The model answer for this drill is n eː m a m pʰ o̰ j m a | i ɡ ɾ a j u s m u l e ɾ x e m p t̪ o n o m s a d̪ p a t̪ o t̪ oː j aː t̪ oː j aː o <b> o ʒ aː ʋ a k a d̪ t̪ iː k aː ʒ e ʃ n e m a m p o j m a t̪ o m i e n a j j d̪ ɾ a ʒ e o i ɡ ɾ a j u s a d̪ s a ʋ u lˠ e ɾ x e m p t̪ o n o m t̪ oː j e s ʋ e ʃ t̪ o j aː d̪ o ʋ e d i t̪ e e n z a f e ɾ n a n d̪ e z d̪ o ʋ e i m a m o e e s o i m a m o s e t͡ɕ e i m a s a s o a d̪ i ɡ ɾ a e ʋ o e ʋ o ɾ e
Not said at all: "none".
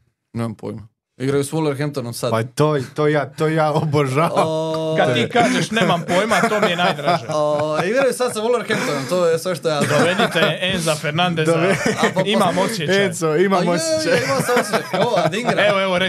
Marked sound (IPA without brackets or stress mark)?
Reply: b